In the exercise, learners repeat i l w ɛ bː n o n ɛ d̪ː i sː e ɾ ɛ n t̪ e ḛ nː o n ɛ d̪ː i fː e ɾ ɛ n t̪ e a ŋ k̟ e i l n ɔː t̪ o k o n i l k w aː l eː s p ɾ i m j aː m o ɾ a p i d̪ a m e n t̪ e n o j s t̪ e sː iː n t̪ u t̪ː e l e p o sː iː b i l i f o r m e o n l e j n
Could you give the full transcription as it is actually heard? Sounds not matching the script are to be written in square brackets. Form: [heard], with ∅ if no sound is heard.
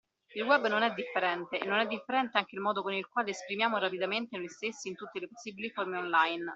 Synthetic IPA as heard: i l w ɛ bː n o n ɛ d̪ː i [fː] e ɾ ɛ n t̪ e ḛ nː o n ɛ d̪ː i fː e ɾ ɛ n t̪ e a ŋ k̟ e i l [m] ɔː [d̪] o k o n i l k w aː l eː s p ɾ i m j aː m o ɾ a p i d̪ a m e n t̪ e n o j s t̪ e sː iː n t̪ u t̪ː e l e p o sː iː b i l i f o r m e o n l [a] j n

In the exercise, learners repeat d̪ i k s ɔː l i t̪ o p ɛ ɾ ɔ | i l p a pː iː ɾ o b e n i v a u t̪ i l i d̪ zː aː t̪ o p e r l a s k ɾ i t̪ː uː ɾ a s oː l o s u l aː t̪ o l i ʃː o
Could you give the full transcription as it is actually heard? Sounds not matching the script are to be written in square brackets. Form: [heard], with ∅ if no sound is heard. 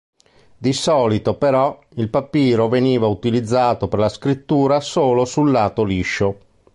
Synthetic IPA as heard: d̪ i [∅] s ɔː l i t̪ o p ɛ ɾ ɔ | i l p a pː iː ɾ o [v] e n [iː] v a u t̪ i l i d̪ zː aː t̪ o p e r l a s k ɾ i t̪ː uː ɾ a s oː l o s u [lː] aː t̪ o l i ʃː o

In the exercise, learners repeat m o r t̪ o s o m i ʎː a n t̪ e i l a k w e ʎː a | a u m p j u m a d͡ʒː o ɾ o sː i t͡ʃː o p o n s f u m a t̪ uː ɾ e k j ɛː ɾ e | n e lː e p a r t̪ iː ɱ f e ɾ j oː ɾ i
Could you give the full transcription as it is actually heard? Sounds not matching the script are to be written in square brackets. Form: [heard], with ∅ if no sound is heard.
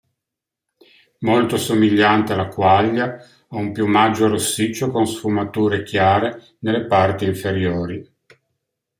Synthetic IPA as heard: m o [l] t̪ o s o m i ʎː a n t̪ e [a] l a k w [a] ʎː a | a u m p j u m a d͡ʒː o ɾ o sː i t͡ʃː o [k] o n s f u m a t̪ uː ɾ e k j [aː] ɾ e | n e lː e p a r t̪ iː ɱ f e ɾ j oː ɾ i

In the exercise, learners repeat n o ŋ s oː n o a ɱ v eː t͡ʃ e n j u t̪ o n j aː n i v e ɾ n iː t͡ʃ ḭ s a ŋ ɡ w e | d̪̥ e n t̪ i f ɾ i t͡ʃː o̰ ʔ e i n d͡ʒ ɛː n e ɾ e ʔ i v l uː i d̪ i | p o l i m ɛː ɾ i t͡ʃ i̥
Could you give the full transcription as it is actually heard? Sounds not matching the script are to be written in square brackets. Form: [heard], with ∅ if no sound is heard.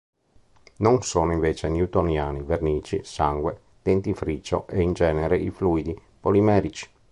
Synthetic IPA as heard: n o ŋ s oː n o [i] ɱ v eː t͡ʃ e n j u t̪ o n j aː n i v e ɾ n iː t͡ʃ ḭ s a ŋ ɡ w e | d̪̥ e n t̪ i f ɾ i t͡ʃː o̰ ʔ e i n d͡ʒ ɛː n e ɾ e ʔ i [f] l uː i d̪ i | p o l i m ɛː ɾ i t͡ʃ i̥

